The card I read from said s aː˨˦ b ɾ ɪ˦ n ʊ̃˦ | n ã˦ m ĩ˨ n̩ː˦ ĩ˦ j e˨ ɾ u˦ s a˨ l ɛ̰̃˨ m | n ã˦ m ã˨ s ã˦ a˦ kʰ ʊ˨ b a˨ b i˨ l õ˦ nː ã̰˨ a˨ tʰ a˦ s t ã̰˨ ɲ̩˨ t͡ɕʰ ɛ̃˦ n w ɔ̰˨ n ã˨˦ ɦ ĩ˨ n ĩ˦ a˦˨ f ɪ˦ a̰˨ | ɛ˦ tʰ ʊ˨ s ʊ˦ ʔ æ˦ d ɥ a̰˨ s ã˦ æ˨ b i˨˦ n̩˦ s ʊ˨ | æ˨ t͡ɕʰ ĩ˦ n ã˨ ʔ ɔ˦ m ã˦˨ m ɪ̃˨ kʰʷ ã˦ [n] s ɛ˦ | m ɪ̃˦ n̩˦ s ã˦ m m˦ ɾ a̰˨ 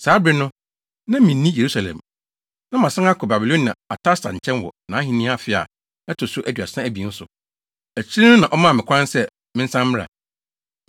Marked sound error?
no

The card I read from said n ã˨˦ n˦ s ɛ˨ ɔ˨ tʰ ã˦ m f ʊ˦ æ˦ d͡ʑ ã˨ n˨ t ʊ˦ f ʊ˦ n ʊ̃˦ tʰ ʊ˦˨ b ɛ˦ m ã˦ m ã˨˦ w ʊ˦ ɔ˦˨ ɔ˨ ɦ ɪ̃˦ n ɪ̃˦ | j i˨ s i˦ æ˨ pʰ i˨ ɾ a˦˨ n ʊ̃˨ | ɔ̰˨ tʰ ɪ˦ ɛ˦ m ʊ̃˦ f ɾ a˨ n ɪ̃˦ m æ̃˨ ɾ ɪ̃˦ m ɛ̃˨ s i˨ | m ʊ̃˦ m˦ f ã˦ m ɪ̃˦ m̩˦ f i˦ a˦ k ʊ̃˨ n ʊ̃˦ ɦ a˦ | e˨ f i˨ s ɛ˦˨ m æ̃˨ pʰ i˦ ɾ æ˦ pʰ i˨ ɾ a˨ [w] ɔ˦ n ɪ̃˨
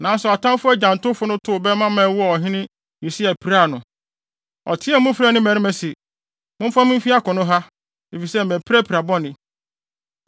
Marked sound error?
yes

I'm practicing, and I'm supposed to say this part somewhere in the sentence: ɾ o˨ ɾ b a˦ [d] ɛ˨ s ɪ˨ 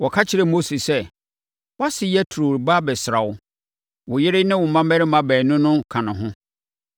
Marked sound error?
yes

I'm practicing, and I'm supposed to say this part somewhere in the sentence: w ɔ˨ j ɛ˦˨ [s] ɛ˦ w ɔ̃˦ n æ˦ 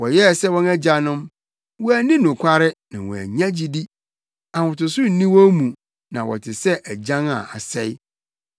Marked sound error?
no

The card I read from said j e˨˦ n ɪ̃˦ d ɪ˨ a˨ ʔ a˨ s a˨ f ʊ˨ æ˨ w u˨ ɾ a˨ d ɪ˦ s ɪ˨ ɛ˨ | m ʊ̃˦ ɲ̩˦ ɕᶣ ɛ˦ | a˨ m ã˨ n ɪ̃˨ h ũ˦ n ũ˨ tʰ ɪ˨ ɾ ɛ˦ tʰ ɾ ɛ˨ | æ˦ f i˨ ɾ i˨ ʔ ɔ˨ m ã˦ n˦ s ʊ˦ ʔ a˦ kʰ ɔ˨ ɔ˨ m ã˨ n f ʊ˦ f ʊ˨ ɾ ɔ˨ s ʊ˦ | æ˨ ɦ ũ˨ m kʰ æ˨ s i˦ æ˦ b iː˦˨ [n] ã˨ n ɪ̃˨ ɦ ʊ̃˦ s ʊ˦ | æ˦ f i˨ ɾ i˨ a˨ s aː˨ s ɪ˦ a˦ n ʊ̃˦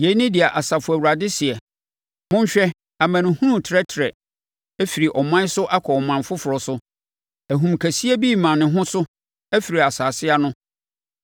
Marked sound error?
yes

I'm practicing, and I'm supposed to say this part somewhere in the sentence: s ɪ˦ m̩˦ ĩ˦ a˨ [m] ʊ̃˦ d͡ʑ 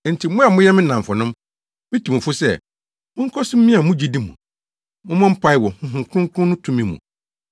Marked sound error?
no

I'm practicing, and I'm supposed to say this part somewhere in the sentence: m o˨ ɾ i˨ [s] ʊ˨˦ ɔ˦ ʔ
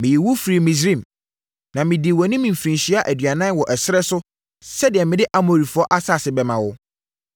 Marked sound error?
yes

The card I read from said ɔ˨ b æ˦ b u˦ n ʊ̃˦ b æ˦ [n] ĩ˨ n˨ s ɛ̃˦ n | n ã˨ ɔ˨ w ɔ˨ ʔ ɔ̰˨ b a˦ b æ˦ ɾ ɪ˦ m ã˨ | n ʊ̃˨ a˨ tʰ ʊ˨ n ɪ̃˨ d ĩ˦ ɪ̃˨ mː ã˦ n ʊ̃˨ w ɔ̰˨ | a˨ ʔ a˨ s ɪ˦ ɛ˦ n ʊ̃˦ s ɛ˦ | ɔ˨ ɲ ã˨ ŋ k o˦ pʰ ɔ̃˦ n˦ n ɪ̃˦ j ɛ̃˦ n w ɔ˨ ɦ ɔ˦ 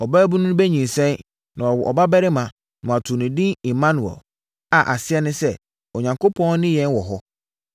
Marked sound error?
yes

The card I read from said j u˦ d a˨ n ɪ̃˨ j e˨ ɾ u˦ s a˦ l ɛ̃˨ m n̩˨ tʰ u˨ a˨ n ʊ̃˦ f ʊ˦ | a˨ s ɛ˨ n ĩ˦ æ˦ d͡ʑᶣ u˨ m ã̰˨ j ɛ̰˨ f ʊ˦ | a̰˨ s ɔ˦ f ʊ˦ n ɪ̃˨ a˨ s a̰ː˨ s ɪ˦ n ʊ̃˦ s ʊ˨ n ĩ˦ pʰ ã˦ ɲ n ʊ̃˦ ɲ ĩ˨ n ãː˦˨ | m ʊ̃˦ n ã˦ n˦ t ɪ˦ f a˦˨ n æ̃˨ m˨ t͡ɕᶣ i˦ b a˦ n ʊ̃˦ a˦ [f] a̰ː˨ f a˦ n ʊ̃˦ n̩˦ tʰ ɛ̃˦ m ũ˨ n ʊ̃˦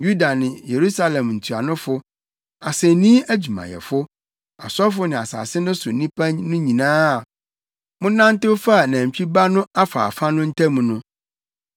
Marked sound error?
no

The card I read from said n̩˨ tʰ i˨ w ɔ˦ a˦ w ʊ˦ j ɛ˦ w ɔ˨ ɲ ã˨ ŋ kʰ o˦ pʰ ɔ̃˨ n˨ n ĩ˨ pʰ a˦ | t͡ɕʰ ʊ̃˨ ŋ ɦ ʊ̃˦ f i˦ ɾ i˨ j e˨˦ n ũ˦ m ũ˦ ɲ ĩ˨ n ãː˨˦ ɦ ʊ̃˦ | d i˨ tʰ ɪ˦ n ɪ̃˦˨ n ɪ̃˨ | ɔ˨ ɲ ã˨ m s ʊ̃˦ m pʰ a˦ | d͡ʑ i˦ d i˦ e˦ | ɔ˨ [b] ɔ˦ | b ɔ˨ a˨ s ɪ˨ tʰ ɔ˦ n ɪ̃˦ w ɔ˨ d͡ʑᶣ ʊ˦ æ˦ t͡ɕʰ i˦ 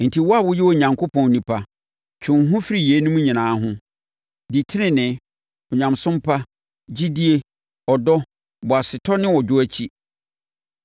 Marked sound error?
yes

